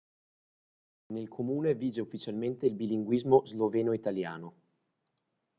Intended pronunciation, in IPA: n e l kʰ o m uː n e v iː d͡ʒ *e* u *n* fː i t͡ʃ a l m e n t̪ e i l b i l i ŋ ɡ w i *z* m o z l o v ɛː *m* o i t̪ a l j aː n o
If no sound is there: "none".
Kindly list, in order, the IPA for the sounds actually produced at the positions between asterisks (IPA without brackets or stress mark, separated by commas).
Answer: e, none, z, n